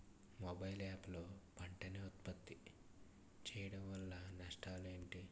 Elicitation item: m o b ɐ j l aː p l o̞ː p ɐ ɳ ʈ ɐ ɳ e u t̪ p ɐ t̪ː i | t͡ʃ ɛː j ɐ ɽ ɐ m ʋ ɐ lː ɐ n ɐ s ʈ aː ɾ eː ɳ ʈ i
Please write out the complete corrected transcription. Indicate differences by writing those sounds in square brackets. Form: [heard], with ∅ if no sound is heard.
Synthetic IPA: m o b ɐ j l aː p l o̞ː p ɐ ɳ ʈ ɐ [n] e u t̪ p ɐ t̪ː i | t͡ʃ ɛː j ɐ ɽ ɐ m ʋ ɐ lː ɐ n ɐ [ʂ] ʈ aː [l] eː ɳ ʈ i